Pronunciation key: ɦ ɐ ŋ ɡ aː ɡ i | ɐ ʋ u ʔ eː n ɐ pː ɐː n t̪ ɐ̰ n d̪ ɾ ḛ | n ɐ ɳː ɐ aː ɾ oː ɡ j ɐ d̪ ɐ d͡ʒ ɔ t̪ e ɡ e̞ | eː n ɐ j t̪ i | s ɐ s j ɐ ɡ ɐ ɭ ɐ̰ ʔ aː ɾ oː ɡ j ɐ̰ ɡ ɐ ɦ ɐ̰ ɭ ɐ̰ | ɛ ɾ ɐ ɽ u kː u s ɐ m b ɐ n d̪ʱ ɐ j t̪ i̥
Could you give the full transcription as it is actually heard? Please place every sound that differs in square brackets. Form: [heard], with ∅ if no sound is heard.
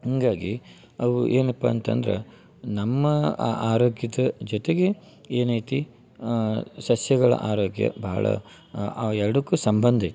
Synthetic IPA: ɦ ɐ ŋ ɡ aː ɡ i | ɐ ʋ u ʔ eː n ɐ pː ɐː n t̪ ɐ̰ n d̪ ɾ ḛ | n ɐ [mː] ɐ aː ɾ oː ɡ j ɐ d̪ ɐ d͡ʒ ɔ t̪ e ɡ e̞ | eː n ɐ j t̪ i | s ɐ s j ɐ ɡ ɐ ɭ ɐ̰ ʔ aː ɾ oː ɡ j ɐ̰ [b] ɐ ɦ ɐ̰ ɭ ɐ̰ | ɛ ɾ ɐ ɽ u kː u s ɐ m b ɐ n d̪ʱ ɐ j t̪ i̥